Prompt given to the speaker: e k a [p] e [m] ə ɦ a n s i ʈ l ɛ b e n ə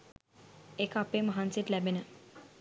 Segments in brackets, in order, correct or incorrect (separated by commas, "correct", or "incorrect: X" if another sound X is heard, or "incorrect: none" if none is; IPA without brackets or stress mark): correct, correct